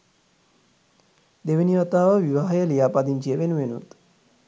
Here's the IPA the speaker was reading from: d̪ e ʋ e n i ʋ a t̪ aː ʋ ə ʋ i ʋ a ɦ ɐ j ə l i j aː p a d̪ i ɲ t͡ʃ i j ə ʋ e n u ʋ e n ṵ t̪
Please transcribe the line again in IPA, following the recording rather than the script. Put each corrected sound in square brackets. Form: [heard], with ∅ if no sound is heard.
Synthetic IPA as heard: d̪ e ʋ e n i ʋ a t̪ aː ʋ ə ʋ i ʋ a ɦ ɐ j ə l i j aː p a d̪ i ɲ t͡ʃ i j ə ʋ e n u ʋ e n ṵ t̪